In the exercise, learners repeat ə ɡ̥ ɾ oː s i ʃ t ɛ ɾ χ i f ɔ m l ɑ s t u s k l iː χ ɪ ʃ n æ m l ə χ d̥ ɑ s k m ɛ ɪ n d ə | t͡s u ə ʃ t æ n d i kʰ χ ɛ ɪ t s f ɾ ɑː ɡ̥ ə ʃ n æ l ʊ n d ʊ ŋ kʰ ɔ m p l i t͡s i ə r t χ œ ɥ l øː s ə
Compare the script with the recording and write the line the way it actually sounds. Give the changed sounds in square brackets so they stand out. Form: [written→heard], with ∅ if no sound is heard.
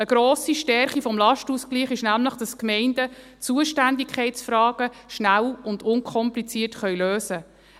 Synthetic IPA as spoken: ə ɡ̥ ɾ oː s i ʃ t ɛ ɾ χ i f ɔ m l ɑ [s→ʃ] t u s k l iː χ ɪ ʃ n æ m l ə χ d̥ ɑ s k m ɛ ɪ n d ə | t͡s u ə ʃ t æ n d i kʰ χ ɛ ɪ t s f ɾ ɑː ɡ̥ ə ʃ n æ l ʊ n d ʊ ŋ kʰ ɔ m p l i t͡s i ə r t χ œ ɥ l øː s ə

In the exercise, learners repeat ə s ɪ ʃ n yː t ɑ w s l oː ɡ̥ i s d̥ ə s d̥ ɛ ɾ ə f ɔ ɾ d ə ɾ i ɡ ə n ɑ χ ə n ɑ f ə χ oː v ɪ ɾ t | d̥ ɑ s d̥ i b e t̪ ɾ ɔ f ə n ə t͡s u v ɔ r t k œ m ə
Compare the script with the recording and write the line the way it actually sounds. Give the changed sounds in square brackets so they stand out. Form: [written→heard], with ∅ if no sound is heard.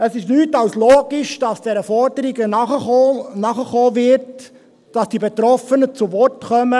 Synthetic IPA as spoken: ə s ɪ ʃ n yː t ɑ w s l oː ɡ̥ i [s→ʃ] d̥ [ə→ɑ] s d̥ ɛ ɾ ə f ɔ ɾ d ə ɾ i ɡ ə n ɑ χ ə n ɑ [f→χ] ə χ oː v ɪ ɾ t | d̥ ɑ s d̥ i b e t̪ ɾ ɔ f ə n ə t͡s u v ɔ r t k œ m ə

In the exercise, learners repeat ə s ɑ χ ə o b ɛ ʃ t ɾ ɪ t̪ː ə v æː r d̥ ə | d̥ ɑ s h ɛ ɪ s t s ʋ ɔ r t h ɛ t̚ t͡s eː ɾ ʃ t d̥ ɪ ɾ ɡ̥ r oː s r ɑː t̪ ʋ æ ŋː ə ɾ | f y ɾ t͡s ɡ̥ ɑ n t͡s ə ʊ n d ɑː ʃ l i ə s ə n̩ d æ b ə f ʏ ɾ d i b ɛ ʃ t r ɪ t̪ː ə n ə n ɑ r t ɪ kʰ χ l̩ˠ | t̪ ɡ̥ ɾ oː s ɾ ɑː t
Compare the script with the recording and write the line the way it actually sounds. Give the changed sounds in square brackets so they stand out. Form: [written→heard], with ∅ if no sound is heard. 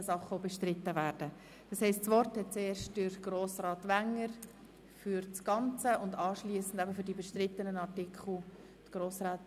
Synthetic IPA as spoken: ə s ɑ χ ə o b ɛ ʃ t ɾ ɪ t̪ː ə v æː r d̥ ə | d̥ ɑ s h ɛ ɪ s t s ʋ ɔ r t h ɛ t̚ t͡s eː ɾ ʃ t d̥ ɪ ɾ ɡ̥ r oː s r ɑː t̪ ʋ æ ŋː ə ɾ | f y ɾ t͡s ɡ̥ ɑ n t͡s ə ʊ n d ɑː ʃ l i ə s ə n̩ d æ b ə f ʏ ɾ d i b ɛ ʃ t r ɪ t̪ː ə n ə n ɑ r t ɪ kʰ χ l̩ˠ | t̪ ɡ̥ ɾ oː s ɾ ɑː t

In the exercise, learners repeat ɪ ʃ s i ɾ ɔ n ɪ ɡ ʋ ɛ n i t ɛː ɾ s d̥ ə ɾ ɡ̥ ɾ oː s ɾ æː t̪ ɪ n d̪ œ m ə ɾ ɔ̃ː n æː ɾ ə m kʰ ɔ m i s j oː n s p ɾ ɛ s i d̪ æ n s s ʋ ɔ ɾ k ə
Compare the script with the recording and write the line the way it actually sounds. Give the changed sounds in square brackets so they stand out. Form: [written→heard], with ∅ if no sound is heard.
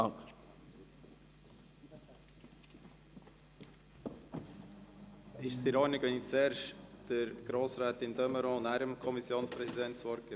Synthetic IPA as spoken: ɪ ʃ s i ɾ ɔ n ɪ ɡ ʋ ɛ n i [t→t͡s] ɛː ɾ [s→ʃ] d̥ ə ɾ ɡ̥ ɾ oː s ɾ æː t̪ ɪ n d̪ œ m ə ɾ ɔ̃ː n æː ɾ ə m kʰ ɔ m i s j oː n s p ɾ ɛ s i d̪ [æ→ɛ] n [s→t] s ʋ ɔ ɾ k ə

